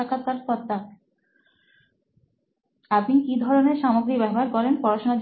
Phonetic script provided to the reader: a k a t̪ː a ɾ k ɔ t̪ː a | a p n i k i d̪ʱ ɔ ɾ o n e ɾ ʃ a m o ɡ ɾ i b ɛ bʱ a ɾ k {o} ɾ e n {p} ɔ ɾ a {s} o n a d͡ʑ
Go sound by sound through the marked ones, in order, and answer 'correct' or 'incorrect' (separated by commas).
incorrect, correct, incorrect